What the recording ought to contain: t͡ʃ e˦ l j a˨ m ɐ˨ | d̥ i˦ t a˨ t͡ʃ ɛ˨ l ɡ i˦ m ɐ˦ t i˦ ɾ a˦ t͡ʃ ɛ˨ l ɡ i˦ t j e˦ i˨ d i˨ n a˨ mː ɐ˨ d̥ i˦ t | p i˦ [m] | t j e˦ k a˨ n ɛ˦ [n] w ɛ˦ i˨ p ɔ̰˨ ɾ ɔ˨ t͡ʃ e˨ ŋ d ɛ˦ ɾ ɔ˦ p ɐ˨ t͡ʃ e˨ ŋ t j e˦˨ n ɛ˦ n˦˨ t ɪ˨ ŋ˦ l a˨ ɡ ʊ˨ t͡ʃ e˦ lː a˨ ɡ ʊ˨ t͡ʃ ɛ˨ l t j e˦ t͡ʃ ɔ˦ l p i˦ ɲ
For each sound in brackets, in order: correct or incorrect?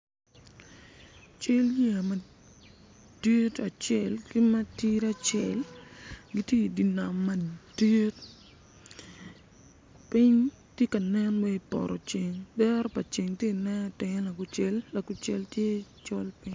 incorrect: ɲ, correct

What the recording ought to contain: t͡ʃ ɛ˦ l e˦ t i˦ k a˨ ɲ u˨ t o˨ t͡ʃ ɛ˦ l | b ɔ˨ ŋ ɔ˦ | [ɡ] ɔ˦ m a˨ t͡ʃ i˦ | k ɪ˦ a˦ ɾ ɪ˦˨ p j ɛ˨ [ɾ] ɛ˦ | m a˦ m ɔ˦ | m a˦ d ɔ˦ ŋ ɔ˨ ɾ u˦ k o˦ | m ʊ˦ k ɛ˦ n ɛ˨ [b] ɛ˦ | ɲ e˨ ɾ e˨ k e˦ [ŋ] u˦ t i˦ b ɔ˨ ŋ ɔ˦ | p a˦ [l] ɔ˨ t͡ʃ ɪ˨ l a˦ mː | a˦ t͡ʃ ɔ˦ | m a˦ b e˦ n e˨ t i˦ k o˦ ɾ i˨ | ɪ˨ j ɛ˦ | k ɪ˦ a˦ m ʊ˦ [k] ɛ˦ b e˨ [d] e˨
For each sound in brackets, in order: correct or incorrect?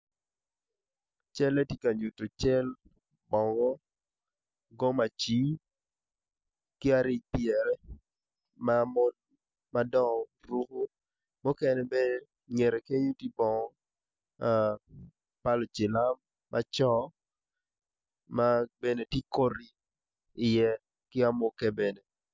correct, correct, correct, incorrect: ɲ, correct, correct, incorrect: n

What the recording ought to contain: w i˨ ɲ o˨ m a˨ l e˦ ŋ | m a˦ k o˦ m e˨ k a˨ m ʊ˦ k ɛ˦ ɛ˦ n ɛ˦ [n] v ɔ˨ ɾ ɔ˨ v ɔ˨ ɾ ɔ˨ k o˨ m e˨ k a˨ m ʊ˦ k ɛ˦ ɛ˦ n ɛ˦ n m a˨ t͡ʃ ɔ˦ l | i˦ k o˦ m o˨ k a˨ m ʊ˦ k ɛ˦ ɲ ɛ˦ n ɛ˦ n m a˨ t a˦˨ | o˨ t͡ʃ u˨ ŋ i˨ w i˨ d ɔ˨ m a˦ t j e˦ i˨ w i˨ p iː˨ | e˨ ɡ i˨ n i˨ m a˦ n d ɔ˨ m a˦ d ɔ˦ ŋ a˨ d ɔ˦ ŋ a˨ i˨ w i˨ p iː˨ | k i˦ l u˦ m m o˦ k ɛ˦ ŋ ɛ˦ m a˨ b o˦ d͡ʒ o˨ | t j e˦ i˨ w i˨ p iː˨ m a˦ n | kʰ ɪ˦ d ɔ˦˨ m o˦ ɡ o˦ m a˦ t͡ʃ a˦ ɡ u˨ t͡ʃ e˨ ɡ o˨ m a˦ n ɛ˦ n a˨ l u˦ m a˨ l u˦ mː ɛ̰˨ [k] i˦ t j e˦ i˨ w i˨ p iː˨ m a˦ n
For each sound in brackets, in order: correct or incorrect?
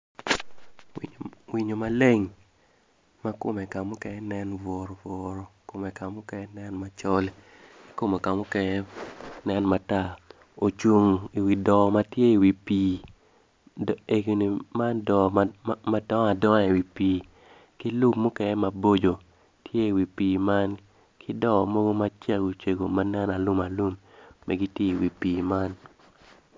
correct, incorrect: ɡ

